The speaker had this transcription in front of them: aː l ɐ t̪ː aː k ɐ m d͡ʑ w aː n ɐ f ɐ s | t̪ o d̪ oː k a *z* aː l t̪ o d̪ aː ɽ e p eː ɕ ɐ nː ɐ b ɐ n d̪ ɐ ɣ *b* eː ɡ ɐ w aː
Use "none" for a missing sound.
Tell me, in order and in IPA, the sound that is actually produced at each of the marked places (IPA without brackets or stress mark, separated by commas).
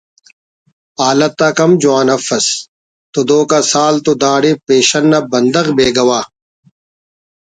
s, b